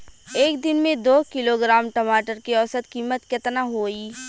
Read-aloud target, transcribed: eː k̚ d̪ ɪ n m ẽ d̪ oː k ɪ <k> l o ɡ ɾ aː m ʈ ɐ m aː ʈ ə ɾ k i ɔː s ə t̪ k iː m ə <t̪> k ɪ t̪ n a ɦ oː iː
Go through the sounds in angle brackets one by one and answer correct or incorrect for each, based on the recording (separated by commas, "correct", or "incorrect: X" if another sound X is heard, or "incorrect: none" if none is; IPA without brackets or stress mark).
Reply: incorrect: none, correct